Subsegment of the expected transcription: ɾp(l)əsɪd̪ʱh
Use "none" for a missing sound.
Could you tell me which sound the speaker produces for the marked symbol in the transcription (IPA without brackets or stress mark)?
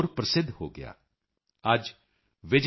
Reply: ɾ